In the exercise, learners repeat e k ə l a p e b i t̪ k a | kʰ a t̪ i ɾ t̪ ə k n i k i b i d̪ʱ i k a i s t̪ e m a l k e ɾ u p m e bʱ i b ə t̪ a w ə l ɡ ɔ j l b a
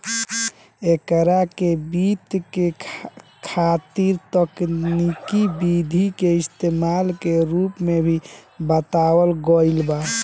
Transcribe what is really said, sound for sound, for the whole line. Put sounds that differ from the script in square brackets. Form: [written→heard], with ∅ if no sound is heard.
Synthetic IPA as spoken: e k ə [l→ɾ] a [p→k] e b i t̪ k [a→e] | kʰ a t̪ i ɾ t̪ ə k n i k i b i d̪ʱ i k [a→e] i s t̪ e m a l k e ɾ u p m e bʱ i b ə t̪ a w ə l ɡ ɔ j l b a